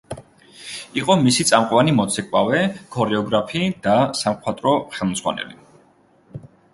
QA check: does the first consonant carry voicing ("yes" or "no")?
no